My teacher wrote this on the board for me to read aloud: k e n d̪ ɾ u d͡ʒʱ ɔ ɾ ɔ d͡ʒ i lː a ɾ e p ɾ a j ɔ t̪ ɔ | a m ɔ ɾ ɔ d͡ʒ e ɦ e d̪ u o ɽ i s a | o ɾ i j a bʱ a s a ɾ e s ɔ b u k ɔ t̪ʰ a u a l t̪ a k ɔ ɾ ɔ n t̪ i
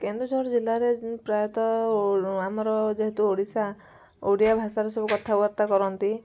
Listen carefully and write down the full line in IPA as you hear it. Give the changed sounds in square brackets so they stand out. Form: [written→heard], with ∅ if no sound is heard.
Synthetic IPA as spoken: k e n d̪ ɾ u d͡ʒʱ ɔ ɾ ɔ d͡ʒ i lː a ɾ e p ɾ a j ɔ t̪ ɔ | a m ɔ ɾ ɔ d͡ʒ e ɦ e [d̪→t̪] u o ɽ i s a | o [ɾ→ɽ] i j a bʱ a s a ɾ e s ɔ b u k ɔ t̪ʰ a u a [l→ɾ] t̪ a k ɔ ɾ ɔ n t̪ i